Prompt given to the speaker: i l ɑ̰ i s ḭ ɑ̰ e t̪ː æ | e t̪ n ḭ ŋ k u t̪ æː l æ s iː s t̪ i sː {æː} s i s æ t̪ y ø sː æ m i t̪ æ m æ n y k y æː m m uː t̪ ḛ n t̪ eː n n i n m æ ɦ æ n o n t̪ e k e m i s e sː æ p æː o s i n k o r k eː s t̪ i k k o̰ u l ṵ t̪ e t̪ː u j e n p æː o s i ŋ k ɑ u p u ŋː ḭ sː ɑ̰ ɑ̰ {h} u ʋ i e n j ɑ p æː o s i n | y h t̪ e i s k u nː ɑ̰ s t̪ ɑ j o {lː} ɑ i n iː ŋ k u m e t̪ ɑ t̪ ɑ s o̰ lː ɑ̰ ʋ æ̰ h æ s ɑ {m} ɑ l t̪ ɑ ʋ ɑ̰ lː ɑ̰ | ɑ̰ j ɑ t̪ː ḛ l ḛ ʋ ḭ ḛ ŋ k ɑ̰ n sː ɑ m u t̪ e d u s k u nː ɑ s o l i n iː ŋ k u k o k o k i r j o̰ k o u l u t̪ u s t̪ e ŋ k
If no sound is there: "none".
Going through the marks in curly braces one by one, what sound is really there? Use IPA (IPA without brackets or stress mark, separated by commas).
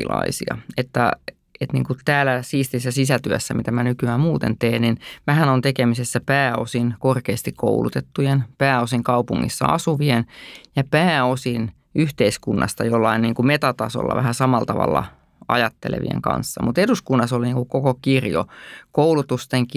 æ, s, lː, m